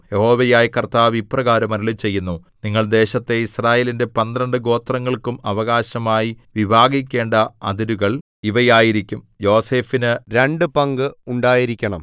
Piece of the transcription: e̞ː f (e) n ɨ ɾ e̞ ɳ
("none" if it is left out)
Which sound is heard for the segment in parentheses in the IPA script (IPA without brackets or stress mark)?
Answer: i